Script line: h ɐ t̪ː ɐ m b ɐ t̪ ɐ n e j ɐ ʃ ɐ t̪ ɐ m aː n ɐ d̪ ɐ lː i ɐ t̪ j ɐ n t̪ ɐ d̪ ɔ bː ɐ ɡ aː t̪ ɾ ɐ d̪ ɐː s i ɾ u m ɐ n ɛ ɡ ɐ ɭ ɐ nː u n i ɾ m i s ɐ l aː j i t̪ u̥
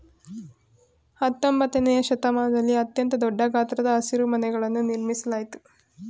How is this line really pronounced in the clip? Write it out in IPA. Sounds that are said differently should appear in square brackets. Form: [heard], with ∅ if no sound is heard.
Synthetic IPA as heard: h ɐ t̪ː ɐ m b ɐ t̪ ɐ n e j ɐ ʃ ɐ t̪ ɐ m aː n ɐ d̪ ɐ lː i ɐ t̪ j ɐ n t̪ ɐ d̪ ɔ [ɖː] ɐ ɡ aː t̪ ɾ ɐ d̪ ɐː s i ɾ u m ɐ n ɛ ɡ ɐ ɭ ɐ nː u n i ɾ m i s ɐ l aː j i t̪ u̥